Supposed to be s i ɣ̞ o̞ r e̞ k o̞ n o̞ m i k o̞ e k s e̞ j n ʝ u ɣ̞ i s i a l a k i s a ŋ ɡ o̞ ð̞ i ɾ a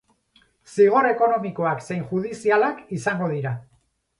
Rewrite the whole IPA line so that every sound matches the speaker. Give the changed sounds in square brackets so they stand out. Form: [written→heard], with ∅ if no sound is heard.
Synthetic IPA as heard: s i ɣ̞ o̞ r e̞ k o̞ n o̞ m i k o̞ [e→a] k s e̞ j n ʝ u [ɣ̞→ð̞] i s i a l a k i s a ŋ ɡ o̞ ð̞ i ɾ a